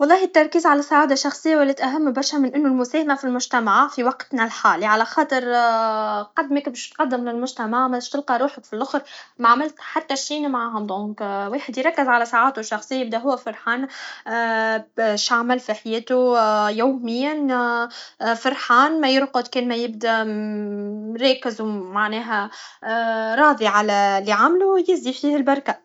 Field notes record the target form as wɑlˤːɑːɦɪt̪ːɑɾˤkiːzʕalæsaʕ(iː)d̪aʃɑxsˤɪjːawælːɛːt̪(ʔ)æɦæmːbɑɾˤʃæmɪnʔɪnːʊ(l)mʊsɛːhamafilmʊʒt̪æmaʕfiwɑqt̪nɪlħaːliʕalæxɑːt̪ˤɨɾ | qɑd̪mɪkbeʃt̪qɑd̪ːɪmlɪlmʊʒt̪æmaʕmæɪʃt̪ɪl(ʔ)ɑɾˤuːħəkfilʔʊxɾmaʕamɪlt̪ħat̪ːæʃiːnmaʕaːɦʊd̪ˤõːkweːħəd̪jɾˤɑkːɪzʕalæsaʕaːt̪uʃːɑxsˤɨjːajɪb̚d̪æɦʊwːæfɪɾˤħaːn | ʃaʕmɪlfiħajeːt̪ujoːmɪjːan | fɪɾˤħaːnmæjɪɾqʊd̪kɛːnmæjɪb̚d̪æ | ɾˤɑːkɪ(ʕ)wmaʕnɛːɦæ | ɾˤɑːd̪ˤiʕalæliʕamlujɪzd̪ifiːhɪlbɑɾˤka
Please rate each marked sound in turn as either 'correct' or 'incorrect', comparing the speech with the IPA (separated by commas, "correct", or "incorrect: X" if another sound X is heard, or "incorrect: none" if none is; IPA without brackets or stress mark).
incorrect: aː, correct, correct, incorrect: q, incorrect: z